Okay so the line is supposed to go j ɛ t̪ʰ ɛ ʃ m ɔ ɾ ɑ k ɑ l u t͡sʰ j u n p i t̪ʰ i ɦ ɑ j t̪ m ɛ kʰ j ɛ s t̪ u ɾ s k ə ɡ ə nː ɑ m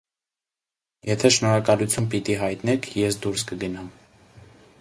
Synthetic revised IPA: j ɛ t̪ʰ ɛ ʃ n ɔ ɾ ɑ k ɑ l u t͡sʰ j u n p i t̪ i ɦ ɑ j t̪ n ɛ kʰ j ɛ s d̪ u ɾ s k ə ɡ ə n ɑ m